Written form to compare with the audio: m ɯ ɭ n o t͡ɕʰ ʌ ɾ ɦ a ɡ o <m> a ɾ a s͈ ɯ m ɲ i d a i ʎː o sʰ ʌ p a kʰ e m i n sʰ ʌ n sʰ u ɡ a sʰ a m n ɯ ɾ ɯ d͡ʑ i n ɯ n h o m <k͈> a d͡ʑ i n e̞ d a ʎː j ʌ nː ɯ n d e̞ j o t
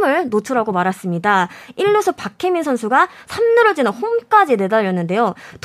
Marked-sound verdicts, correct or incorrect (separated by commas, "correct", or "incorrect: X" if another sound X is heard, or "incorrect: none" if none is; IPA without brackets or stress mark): correct, correct